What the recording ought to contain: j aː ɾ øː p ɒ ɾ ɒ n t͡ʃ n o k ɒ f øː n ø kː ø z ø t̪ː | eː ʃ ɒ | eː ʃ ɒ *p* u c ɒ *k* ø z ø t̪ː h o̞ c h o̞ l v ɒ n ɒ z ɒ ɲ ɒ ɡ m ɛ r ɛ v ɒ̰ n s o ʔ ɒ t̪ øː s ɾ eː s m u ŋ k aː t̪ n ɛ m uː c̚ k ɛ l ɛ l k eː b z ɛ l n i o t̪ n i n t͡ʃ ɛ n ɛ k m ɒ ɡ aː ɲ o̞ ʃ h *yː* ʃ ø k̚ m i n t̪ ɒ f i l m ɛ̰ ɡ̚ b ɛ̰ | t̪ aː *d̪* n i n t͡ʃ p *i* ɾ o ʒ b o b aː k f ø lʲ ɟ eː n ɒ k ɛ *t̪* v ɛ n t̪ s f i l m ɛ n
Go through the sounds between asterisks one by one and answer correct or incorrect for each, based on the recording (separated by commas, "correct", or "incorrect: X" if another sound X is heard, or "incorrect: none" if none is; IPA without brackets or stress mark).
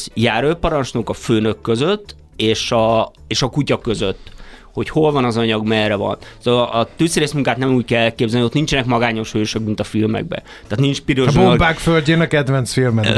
incorrect: k, correct, incorrect: øː, incorrect: t̪, correct, incorrect: d̪